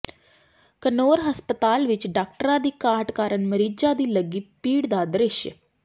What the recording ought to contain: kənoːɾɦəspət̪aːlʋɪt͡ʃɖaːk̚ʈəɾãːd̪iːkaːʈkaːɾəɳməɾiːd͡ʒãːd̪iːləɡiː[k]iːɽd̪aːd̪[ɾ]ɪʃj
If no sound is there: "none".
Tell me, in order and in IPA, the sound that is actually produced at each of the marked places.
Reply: p, ɾ

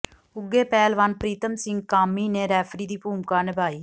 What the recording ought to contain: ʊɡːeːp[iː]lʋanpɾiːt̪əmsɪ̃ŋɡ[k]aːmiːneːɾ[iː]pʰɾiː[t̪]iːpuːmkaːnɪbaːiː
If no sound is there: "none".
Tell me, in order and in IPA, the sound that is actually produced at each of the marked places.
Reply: ɛː, k, ɛː, d̪

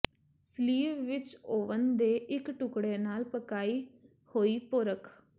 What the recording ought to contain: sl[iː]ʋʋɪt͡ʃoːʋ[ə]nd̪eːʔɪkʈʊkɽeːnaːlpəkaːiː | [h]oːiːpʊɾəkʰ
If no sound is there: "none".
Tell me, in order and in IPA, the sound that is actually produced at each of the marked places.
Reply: iː, ə, h

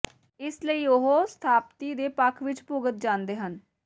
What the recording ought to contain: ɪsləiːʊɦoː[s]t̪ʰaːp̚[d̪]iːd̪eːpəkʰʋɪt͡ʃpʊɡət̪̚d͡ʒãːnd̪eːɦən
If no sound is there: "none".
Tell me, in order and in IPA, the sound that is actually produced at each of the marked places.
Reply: s, t̪

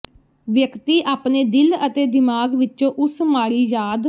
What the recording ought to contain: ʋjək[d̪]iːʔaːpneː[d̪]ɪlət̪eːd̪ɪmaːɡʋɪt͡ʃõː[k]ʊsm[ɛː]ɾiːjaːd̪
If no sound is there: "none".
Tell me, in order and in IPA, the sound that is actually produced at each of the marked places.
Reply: t̪, d̪, ʔ, aː

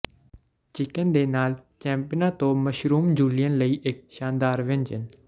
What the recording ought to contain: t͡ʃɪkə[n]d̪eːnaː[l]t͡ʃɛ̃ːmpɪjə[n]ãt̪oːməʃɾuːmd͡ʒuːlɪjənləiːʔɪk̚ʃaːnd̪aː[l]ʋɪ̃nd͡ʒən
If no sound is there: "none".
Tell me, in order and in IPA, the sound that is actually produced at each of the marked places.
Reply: n, l, n, ɾ

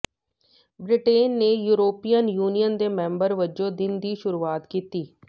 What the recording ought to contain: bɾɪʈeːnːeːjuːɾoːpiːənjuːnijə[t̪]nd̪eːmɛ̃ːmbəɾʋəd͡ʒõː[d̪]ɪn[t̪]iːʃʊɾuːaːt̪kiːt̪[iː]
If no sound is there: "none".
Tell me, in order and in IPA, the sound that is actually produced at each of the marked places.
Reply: none, d̪, d̪, iː

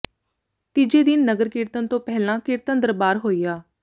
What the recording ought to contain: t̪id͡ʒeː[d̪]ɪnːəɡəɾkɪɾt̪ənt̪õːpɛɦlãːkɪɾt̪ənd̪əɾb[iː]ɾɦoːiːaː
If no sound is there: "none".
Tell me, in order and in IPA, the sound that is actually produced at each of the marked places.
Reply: d̪, aː

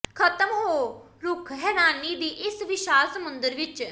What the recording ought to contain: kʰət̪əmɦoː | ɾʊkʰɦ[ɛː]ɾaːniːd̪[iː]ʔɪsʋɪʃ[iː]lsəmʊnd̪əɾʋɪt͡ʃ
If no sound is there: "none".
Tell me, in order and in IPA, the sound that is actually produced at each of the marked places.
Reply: ɛː, iː, aː

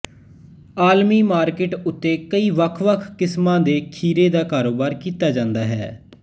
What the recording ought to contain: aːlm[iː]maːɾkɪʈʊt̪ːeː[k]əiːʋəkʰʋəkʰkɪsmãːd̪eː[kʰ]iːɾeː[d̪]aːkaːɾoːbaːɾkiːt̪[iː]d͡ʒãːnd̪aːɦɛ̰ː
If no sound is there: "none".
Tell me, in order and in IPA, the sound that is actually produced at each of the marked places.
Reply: iː, k, kʰ, d̪, aː

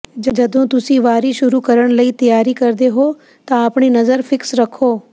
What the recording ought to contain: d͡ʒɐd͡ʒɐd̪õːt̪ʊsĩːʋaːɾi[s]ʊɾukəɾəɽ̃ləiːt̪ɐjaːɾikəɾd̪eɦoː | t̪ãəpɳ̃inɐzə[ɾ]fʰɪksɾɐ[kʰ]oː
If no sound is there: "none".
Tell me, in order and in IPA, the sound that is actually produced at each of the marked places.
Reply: ʃ, ɾ, kʰ

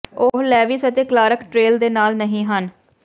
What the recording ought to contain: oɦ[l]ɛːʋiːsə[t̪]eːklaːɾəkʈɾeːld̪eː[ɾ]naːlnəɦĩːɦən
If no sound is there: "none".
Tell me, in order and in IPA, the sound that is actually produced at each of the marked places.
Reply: l, t̪, none

